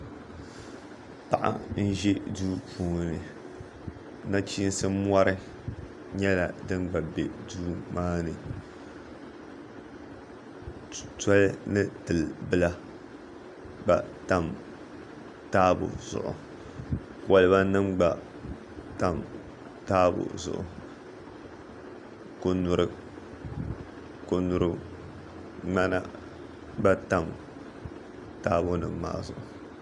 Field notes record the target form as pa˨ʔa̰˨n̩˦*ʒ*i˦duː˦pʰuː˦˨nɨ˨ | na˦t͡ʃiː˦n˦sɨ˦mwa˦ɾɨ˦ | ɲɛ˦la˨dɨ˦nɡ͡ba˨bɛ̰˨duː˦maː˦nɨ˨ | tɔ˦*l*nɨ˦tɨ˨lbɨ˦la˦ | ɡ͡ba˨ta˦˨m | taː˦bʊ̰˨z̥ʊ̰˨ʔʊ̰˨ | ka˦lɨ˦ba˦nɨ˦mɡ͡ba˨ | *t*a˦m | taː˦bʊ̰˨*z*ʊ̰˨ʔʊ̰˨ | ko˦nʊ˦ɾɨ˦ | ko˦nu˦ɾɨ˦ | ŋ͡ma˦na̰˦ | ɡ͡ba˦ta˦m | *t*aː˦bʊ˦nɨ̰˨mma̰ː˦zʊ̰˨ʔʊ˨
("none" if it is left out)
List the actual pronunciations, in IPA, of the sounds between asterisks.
ʒ, l, t, z, t

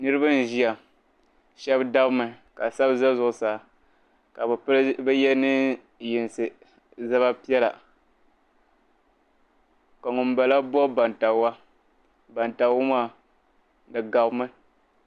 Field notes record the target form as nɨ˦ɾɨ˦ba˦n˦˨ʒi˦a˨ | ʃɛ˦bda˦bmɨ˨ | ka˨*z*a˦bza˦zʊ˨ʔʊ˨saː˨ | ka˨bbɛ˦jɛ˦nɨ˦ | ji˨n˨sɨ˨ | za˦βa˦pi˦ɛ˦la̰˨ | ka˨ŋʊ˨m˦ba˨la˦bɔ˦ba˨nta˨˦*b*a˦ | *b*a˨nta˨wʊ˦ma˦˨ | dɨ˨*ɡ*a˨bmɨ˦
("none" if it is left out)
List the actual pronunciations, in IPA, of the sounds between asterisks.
s, w, b, ɡ

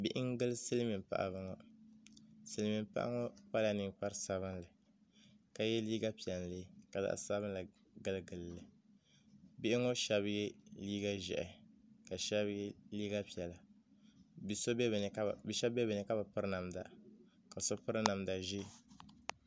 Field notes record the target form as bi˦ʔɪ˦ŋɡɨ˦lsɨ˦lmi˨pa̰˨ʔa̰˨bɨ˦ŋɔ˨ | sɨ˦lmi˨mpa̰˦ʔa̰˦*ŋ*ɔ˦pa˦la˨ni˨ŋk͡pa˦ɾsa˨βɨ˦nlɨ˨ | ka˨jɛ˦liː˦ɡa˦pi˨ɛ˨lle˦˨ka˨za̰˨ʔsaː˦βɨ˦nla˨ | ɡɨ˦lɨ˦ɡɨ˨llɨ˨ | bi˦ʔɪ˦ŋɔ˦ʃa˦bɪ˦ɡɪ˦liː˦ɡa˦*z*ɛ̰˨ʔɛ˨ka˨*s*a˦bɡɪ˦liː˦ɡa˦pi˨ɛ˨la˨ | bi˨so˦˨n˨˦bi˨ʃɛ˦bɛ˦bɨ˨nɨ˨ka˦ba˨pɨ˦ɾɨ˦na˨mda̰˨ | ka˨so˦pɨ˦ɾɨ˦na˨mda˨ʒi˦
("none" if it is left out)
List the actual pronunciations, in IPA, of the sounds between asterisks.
ŋ, ʒ, ʃ

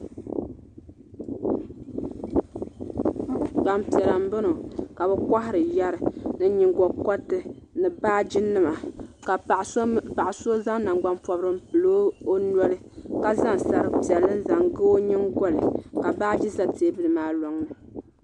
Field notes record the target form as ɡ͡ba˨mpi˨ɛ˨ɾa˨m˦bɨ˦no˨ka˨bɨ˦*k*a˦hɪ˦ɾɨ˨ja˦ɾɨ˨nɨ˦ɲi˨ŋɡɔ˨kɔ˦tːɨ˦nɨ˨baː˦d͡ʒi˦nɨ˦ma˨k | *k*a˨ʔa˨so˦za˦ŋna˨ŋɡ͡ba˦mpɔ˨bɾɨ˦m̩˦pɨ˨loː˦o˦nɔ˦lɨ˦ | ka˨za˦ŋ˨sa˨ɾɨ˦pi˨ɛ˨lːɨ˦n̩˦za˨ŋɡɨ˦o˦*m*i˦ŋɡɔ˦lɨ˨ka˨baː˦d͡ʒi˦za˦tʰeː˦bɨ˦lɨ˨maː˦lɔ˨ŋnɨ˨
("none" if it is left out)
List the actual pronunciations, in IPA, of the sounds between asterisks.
k, p, ɲ

